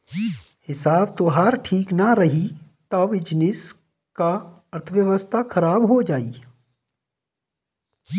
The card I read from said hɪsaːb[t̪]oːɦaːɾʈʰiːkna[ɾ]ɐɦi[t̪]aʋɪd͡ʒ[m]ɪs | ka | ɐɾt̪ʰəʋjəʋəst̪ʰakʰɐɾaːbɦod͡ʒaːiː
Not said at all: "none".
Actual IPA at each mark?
t̪, ɾ, t̪, n

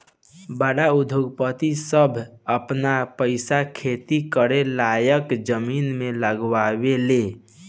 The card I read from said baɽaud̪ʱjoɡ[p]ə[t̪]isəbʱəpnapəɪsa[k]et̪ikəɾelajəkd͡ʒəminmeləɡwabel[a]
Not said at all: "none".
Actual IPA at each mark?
p, t̪, kʰ, e

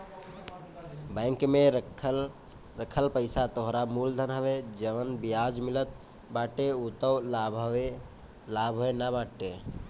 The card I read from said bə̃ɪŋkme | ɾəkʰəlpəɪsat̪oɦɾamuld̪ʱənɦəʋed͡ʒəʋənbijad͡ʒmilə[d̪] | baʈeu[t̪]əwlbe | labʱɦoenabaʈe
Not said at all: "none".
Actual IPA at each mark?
t̪, t̪

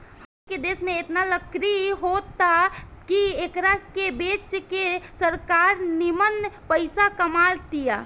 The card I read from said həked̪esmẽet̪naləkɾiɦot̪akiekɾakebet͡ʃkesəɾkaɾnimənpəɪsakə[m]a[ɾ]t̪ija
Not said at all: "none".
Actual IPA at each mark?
m, l

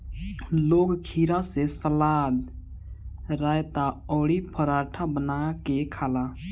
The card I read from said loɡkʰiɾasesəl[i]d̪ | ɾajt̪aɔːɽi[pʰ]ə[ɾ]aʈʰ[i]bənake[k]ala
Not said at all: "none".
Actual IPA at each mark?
a, pʰ, ɾ, a, kʰ

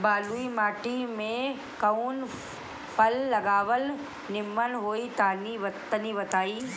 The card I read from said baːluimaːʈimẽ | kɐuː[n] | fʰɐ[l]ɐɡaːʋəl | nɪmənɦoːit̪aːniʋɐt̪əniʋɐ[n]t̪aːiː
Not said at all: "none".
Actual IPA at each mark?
n, lː, none

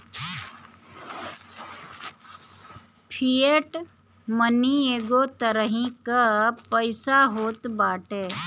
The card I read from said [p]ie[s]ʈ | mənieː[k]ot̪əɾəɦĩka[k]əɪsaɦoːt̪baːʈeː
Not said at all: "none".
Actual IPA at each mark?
pʰ, none, ɡ, p

